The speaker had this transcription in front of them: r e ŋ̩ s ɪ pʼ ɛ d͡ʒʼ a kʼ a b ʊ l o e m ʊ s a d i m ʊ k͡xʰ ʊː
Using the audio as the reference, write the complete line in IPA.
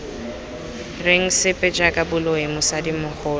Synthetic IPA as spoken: r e ŋ̩ s ɪ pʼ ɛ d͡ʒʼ a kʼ a b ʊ l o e m ʊ s a d i m ʊ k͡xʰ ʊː